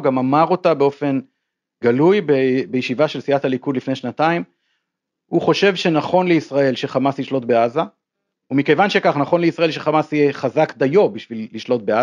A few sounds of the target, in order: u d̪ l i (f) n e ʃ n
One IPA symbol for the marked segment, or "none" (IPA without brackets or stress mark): f